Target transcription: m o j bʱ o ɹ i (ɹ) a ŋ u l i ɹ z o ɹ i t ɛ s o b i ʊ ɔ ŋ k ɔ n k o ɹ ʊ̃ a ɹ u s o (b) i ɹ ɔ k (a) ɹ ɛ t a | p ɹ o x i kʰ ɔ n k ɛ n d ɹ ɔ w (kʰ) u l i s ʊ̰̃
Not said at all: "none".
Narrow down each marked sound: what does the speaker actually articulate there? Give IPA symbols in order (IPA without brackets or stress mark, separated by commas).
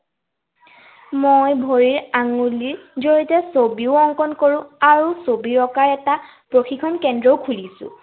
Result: ɹ, b, a, kʰ